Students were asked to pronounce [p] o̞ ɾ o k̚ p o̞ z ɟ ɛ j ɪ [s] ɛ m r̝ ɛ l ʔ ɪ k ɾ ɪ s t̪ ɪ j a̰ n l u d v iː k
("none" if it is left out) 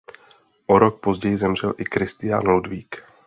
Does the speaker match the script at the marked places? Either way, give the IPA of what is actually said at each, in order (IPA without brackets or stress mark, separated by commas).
ʔ, z